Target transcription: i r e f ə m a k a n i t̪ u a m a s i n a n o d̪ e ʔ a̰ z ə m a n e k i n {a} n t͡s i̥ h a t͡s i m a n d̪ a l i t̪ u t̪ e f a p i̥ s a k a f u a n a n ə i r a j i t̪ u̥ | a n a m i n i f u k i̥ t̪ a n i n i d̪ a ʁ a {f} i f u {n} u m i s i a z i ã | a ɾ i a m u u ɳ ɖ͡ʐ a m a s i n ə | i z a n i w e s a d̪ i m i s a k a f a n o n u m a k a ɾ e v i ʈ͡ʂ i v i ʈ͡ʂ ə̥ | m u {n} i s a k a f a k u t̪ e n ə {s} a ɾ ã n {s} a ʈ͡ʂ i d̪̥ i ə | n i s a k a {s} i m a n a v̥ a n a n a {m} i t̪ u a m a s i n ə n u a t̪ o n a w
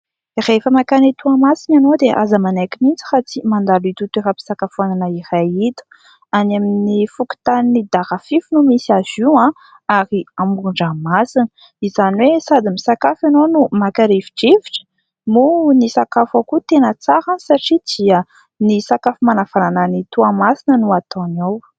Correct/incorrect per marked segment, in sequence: incorrect: i, correct, correct, correct, incorrect: t͡s, correct, incorrect: f, incorrect: n

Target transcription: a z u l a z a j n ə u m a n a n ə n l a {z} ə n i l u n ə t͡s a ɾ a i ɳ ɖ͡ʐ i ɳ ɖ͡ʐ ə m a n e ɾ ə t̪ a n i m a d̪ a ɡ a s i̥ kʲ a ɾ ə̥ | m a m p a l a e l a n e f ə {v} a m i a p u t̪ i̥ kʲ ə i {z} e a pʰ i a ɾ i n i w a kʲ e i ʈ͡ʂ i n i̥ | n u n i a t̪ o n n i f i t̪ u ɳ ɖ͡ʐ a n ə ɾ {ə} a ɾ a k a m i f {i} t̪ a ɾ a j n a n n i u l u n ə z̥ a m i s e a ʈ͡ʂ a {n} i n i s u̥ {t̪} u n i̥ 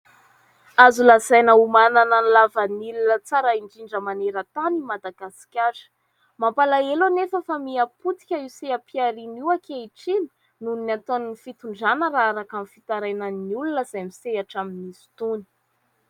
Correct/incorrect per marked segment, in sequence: incorrect: v, incorrect: f, incorrect: s, incorrect: a, correct, incorrect: m, correct

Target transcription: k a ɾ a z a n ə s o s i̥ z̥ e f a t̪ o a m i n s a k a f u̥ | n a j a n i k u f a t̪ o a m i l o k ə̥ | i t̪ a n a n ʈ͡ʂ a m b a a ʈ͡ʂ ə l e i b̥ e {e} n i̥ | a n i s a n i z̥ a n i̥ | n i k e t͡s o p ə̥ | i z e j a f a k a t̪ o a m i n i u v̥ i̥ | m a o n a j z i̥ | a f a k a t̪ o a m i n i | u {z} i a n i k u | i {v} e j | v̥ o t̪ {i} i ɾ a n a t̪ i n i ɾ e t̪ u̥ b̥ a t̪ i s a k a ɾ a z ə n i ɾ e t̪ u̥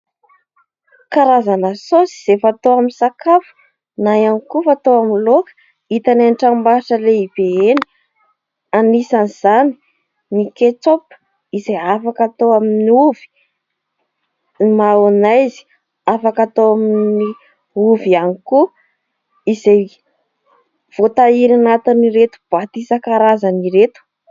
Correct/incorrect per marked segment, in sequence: correct, incorrect: v, incorrect: z, incorrect: a

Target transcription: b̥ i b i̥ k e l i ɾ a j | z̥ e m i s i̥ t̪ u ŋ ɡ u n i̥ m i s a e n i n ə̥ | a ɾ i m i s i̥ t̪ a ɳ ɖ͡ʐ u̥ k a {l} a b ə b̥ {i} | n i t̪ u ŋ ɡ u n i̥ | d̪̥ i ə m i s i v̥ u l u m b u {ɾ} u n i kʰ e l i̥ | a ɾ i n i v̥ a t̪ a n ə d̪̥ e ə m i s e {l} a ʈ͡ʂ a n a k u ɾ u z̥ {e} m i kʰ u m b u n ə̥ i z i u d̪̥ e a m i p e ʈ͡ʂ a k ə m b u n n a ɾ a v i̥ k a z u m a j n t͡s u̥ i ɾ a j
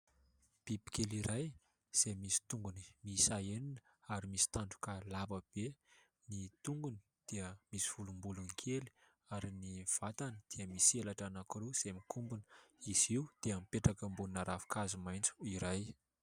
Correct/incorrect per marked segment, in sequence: correct, incorrect: e, incorrect: l, correct, correct

